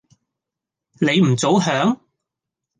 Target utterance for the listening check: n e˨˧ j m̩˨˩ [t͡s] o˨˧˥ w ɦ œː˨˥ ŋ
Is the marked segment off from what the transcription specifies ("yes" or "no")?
no